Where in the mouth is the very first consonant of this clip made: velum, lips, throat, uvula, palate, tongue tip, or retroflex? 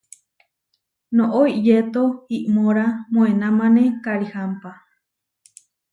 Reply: tongue tip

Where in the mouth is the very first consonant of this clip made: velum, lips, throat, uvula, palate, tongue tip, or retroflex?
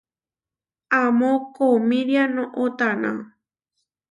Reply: lips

